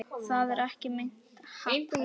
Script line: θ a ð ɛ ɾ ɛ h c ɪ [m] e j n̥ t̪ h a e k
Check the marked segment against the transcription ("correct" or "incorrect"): correct